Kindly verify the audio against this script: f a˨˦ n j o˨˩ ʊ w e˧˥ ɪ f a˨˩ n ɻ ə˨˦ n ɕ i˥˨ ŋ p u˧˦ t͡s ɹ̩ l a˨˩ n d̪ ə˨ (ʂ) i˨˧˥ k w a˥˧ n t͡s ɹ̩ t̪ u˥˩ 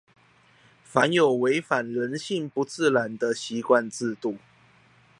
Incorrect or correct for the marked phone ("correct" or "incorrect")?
incorrect